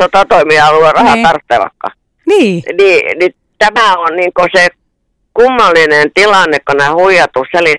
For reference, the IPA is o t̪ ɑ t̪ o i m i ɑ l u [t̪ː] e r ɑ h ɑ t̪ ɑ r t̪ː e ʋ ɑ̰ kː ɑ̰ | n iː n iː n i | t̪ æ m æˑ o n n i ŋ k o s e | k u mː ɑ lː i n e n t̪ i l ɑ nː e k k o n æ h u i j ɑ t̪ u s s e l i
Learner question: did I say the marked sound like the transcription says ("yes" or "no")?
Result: no